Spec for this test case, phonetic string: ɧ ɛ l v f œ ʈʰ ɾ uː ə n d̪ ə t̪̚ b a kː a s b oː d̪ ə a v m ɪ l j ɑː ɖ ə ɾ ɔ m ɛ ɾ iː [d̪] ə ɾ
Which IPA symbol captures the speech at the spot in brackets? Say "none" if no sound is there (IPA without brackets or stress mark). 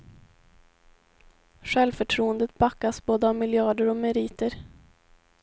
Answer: t̪